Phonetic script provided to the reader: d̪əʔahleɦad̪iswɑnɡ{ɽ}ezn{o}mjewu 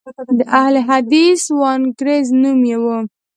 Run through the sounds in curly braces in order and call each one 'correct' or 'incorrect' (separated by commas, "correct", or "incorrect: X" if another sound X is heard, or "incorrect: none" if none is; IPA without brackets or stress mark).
incorrect: ɾ, incorrect: u